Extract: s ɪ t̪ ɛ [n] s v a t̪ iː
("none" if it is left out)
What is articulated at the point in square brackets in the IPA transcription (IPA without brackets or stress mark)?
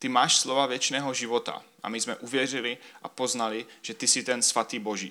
n